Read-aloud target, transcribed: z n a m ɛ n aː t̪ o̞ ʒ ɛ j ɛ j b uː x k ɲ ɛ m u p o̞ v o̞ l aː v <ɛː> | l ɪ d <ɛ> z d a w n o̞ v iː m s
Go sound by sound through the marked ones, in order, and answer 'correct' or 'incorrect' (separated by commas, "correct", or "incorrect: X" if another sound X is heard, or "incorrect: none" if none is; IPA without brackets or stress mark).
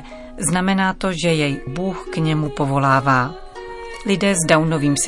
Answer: incorrect: aː, incorrect: ɛː